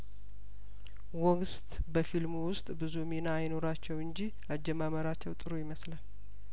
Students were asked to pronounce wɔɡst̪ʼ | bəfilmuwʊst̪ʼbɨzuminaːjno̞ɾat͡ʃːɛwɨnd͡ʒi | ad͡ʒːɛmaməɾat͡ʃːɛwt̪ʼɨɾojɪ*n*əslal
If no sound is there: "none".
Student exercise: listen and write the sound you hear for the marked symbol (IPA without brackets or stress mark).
m